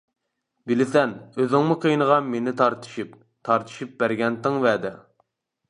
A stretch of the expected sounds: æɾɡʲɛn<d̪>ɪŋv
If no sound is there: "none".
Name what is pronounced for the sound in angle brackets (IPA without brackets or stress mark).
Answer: t̪